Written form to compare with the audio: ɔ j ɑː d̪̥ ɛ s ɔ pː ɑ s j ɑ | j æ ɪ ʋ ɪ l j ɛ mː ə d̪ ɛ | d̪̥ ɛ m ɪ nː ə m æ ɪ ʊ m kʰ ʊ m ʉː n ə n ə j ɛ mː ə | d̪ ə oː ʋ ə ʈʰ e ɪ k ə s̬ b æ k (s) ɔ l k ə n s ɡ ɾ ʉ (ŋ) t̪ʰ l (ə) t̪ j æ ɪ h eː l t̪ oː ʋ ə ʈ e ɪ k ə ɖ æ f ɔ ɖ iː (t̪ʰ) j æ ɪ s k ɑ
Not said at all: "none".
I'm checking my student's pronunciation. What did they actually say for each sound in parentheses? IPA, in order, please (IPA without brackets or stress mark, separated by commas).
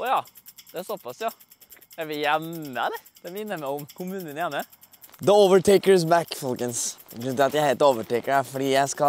f, n, ɑ, none